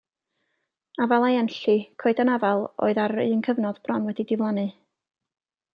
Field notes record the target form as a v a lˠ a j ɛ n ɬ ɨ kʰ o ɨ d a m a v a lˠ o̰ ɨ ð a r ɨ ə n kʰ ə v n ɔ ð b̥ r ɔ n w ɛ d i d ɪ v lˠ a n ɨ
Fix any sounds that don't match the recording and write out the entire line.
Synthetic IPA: a v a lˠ a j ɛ n ɬ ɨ kʰ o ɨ d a n a v a lˠ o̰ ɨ ð a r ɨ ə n kʰ ə v n ɔ ð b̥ r ɔ n w ɛ d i d ɪ v lˠ a n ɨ